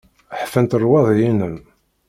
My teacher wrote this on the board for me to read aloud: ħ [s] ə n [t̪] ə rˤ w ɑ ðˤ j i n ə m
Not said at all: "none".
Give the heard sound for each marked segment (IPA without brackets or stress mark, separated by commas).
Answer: f, t̪